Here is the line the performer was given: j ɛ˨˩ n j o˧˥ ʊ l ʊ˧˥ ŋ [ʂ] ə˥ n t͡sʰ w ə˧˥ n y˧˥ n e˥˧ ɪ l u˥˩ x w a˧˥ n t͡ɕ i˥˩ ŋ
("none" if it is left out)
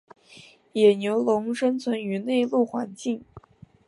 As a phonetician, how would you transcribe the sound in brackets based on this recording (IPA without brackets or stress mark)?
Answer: ʂ